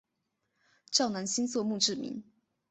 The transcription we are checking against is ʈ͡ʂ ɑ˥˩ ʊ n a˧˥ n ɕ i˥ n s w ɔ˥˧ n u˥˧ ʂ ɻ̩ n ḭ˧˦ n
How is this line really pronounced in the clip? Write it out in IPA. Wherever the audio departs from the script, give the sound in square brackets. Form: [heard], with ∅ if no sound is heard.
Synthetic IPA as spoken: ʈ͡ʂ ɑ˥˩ ʊ n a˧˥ n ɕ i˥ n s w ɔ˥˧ [m] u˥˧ [ʈ͡ʂ] ɻ̩ [m] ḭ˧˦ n